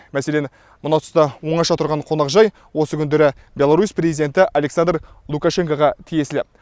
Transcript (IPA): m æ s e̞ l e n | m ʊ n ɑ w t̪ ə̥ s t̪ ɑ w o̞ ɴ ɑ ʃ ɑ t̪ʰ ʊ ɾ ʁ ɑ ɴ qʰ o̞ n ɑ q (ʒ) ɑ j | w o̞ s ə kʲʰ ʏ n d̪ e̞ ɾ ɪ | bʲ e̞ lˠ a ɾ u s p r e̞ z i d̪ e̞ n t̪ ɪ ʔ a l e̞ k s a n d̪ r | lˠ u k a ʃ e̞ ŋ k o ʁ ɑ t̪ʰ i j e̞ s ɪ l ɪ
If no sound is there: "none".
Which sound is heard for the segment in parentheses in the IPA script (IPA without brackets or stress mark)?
ʒ